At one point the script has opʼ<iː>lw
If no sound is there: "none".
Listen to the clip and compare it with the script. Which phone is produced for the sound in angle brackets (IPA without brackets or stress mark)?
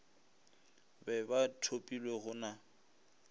i